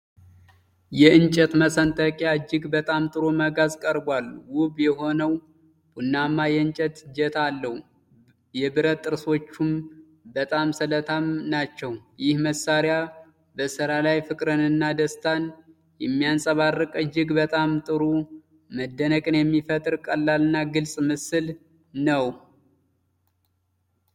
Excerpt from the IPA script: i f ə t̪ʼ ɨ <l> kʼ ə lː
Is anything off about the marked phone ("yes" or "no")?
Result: yes